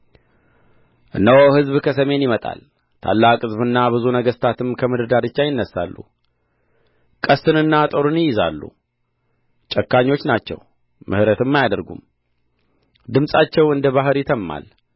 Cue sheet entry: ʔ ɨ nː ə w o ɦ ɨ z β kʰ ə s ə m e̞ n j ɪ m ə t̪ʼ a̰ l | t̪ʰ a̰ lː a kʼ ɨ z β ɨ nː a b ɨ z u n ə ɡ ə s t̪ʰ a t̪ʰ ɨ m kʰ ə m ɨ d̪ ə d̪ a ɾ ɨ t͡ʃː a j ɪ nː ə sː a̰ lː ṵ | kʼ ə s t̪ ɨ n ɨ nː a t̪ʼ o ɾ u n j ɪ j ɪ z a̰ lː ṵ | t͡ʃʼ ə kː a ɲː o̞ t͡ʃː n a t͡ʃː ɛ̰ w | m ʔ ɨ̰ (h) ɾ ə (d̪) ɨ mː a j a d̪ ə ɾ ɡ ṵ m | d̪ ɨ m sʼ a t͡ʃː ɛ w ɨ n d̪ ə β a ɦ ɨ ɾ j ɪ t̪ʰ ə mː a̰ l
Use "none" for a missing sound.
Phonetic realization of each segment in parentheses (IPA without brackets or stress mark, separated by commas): h, t̪